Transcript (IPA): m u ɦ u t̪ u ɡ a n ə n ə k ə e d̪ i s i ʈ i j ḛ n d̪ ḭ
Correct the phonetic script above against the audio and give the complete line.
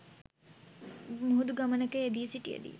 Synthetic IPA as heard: m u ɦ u d̪ u ɡ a m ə n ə k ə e d̪ i s i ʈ i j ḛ d̪ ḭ